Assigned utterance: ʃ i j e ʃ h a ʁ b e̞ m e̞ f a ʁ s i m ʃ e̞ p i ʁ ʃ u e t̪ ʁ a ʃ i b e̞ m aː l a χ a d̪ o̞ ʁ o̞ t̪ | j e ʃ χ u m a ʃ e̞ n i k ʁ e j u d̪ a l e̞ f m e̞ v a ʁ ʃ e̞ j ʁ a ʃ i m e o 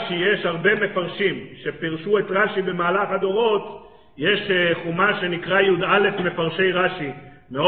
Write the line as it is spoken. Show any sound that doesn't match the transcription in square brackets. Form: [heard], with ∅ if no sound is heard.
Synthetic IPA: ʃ i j e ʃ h a ʁ b e̞ m e̞ f a ʁ [ʃ] i m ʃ e̞ p i ʁ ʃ u e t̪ ʁ a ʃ i b e̞ m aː l a χ a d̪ o̞ ʁ o̞ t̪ | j e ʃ χ u m a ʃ e̞ n i k ʁ [a] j u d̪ a l e̞ f m e̞ [f] a ʁ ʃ e̞ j ʁ a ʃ i m e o